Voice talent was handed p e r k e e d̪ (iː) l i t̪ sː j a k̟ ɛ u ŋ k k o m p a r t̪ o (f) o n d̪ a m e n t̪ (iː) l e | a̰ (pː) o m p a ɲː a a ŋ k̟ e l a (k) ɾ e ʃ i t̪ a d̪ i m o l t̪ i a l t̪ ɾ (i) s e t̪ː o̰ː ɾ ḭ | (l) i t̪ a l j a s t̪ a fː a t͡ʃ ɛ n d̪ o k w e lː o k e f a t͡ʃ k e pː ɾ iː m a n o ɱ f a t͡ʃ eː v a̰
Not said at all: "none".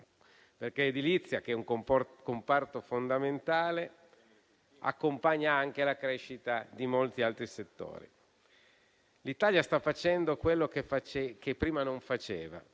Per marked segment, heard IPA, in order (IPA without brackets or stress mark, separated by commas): i, f, aː, kː, k, i, l